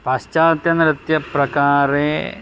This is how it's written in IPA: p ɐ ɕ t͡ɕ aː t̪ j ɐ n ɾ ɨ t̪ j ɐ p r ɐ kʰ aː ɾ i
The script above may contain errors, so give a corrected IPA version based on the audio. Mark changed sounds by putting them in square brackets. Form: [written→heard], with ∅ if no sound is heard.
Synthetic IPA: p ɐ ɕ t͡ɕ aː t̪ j ɐ n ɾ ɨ t̪ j ɐ p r ɐ [kʰ→k] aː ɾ [i→e]

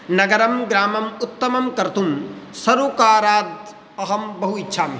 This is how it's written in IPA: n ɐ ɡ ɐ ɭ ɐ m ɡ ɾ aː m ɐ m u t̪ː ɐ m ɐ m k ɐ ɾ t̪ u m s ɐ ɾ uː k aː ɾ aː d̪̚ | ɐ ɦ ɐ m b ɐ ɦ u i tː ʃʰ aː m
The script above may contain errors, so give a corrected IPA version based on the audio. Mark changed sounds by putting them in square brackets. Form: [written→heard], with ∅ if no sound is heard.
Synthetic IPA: n ɐ ɡ ɐ [ɭ→ɾ] ɐ m ɡ ɾ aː m ɐ m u t̪ː ɐ m ɐ m k ɐ ɾ t̪ u m s ɐ ɾ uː k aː ɾ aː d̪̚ | ɐ ɦ ɐ m b ɐ ɦ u i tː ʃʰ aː m

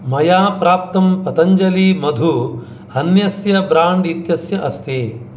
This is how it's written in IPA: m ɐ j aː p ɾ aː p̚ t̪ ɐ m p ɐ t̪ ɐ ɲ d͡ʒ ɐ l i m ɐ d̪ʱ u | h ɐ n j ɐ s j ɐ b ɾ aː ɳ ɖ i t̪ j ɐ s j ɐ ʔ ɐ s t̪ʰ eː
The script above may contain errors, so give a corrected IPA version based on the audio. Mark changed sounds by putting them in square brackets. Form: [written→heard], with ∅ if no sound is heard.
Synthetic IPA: m ɐ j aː p ɾ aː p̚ t̪ ɐ m p ɐ t̪ ɐ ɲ d͡ʒ ɐ l i m ɐ d̪ʱ u | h ɐ n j ɐ s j ɐ b ɾ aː ɳ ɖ i t̪ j ɐ s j ɐ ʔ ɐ s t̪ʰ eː

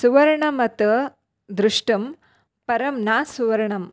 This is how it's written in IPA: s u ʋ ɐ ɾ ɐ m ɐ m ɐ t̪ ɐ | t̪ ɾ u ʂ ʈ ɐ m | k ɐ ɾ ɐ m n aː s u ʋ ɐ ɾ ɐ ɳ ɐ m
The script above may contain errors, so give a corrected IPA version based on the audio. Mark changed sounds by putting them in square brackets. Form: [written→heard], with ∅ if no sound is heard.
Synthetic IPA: s u ʋ ɐ ɾ ɐ [m→ɳ] ɐ m ɐ t̪ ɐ | [t̪→d̪] ɾ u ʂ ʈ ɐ m | [k→p] ɐ ɾ ɐ m n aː s u ʋ ɐ ɾ ɐ ɳ ɐ m

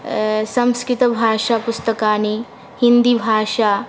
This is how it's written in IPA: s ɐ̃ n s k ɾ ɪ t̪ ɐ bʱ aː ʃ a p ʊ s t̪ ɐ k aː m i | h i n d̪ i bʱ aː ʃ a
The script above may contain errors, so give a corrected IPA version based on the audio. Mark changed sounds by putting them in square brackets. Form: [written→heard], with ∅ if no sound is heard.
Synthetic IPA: s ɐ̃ [n→m] s k ɾ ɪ t̪ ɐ bʱ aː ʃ a p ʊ s t̪ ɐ k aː [m→n] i | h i n d̪ i bʱ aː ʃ a

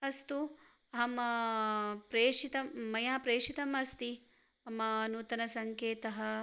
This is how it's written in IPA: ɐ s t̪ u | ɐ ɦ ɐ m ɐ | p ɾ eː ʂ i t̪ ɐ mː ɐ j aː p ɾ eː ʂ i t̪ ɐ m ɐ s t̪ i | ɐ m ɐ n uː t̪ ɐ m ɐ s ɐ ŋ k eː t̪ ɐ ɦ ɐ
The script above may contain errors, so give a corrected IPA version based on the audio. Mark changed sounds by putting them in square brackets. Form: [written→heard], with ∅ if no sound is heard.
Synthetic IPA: ɐ s t̪ u | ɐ ɦ ɐ m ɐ | p ɾ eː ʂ i t̪ ɐ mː ɐ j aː p ɾ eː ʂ i t̪ ɐ m ɐ s t̪ i | ɐ m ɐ n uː t̪ ɐ [m→n] ɐ s ɐ ŋ k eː t̪ ɐ ɦ ɐ

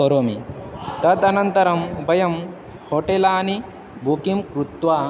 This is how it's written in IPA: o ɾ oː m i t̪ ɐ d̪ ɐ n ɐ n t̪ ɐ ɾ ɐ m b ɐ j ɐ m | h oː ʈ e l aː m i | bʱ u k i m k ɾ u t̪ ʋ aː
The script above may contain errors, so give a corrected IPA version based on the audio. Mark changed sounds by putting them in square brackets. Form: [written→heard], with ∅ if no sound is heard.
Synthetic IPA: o ɾ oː m i t̪ ɐ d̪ ɐ n ɐ n t̪ ɐ ɾ ɐ m b ɐ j ɐ m | h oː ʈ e l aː [m→n] i | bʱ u k i m k ɾ u t̪ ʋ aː

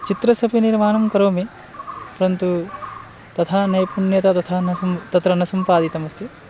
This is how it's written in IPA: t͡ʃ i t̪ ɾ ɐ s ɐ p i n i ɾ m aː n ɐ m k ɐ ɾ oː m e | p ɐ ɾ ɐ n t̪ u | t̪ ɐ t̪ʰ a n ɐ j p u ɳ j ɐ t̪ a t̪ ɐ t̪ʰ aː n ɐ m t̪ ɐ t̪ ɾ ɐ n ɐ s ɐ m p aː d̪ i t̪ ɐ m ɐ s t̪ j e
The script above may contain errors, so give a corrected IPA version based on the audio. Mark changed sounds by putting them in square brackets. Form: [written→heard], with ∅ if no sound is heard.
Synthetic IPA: t͡ʃ i t̪ ɾ ɐ s ɐ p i n i ɾ m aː n ɐ m k ɐ ɾ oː m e | p ɐ ɾ ɐ n t̪ u | t̪ ɐ t̪ʰ a n ɐ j p u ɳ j ɐ t̪ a t̪ ɐ t̪ʰ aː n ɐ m t̪ ɐ t̪ ɾ ɐ n ɐ s ɐ m p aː d̪ i t̪ ɐ m ɐ s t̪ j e

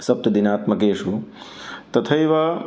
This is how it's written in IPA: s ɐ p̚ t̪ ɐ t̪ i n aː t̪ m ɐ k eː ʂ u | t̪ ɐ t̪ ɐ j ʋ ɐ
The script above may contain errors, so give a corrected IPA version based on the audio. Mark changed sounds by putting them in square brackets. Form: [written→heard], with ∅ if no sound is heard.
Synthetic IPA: s ɐ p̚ t̪ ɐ [t̪→d̪] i n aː t̪ m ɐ k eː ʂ u | t̪ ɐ [t̪→t̪ʰ] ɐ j ʋ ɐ

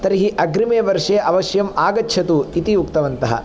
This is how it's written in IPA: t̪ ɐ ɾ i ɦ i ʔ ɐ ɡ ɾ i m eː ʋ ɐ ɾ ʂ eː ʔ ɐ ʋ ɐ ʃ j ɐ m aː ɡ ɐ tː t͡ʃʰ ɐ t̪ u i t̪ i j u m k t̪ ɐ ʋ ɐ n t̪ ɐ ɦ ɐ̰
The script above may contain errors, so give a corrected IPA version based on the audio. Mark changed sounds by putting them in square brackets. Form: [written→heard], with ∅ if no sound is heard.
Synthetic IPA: t̪ ɐ ɾ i ɦ i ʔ ɐ ɡ ɾ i m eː ʋ ɐ ɾ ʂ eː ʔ ɐ ʋ ɐ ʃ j ɐ m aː ɡ ɐ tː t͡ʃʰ ɐ t̪ u i t̪ i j u [m→∅] k t̪ ɐ ʋ ɐ n t̪ ɐ ɦ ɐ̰

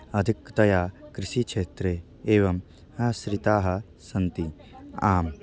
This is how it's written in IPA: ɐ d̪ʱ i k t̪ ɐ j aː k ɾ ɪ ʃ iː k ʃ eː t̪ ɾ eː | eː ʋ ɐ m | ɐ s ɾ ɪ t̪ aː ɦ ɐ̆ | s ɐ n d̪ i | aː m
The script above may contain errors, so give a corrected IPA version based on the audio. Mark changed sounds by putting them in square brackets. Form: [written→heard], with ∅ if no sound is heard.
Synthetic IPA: ɐ d̪ʱ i k t̪ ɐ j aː k ɾ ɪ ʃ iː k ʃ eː t̪ ɾ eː | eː ʋ ɐ m | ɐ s ɾ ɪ t̪ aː ɦ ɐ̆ | s ɐ n [d̪→t̪] i | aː m

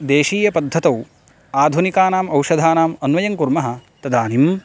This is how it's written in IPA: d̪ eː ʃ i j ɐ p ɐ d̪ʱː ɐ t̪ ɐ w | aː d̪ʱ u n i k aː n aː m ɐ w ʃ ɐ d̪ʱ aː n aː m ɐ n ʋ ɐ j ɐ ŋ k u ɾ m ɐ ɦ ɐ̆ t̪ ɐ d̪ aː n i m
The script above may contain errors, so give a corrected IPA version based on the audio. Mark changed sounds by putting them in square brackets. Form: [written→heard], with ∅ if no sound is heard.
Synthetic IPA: d̪ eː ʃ [i→iː] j ɐ p ɐ d̪ʱː ɐ t̪ ɐ w | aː d̪ʱ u n i k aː n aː m ɐ w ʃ ɐ d̪ʱ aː n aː m ɐ n ʋ ɐ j ɐ ŋ k u ɾ m ɐ ɦ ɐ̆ t̪ ɐ d̪ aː n i m

